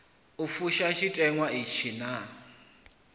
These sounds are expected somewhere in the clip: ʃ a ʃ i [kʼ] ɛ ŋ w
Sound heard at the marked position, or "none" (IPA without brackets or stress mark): tʼ